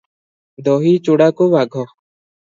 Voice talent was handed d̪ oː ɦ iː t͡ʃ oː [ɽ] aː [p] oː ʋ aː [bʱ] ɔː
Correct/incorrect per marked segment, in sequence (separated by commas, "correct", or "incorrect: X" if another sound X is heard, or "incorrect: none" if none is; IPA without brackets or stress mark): correct, incorrect: k, incorrect: ɡʱ